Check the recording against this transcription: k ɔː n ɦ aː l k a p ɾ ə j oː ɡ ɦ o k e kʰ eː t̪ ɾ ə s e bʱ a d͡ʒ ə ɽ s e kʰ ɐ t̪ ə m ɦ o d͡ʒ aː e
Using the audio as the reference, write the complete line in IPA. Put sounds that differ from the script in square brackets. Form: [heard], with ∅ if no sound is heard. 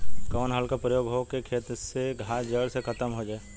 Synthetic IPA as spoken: k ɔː n ɦ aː l k a p ɾ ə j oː ɡ ɦ o k e kʰ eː t̪ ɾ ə s e [ɡʱ] a d͡ʒ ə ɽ s e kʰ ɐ t̪ ə m ɦ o d͡ʒ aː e

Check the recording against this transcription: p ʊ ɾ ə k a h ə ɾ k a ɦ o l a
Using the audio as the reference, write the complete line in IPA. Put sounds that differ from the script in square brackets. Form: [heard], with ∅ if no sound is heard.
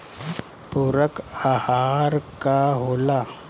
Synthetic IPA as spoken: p [u] ɾ ə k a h [a] ɾ k a ɦ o l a

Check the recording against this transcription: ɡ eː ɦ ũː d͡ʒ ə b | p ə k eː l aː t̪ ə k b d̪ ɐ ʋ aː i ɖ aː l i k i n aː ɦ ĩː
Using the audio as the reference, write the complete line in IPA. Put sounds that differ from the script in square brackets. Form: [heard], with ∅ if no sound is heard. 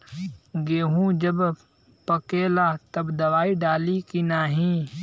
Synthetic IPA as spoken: ɡ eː ɦ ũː d͡ʒ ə b | p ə k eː l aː t̪ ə [∅] b d̪ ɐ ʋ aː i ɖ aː l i k i n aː ɦ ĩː

